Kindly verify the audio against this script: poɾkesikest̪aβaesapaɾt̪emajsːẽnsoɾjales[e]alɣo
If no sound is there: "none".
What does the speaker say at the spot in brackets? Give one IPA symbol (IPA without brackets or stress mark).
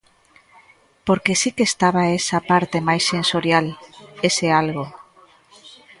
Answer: e